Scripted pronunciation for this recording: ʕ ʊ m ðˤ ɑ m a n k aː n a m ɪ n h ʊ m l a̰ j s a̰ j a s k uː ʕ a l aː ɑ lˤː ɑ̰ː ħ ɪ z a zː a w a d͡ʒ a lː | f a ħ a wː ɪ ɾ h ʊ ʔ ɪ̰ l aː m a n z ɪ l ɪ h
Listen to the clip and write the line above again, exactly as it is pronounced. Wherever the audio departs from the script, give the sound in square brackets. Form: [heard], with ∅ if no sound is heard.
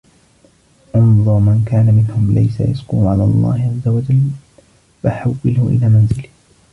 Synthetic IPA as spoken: ʕ ʊ m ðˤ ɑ m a n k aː n a m ɪ n h ʊ m l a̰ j s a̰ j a s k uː ʕ a l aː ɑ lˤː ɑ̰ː [h] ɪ [ʕ] a zː a w a d͡ʒ a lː | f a ħ a wː ɪ [l] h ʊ ʔ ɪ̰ l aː m a n z ɪ l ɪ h